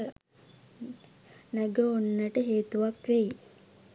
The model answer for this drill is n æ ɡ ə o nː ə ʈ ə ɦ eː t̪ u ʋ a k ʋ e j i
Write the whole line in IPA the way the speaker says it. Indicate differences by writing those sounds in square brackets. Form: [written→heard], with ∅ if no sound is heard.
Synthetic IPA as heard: n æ ɡ ə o nː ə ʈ ə ɦ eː t̪ u ʋ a k ʋ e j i